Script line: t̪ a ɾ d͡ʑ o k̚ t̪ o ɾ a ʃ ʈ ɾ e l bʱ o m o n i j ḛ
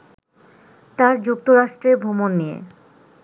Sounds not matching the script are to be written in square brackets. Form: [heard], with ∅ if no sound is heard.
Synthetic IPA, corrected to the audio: t̪ a ɾ d͡ʑ [u] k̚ t̪ o ɾ a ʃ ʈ ɾ e [ɾ] bʱ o m o [nː] i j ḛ